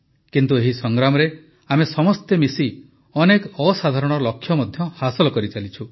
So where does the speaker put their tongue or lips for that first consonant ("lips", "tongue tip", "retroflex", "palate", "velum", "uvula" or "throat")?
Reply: velum